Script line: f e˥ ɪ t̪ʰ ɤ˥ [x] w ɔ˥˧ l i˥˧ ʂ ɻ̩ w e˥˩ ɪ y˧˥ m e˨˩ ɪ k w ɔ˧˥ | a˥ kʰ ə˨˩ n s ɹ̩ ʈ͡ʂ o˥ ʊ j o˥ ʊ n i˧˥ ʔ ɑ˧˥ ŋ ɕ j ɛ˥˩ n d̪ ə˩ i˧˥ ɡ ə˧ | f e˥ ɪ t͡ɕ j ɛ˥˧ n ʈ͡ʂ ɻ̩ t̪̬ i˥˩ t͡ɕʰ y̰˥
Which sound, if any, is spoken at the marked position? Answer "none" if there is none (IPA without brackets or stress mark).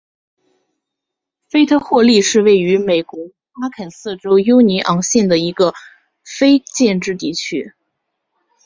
x